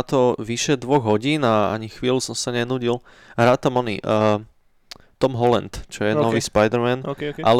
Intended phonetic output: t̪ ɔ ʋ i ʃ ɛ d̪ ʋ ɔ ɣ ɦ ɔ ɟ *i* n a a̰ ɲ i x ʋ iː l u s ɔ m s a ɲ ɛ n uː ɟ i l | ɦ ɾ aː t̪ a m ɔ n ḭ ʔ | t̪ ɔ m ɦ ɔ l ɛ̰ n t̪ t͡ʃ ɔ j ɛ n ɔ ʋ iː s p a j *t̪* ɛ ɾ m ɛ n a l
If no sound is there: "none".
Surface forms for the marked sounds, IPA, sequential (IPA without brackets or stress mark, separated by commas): iː, d̪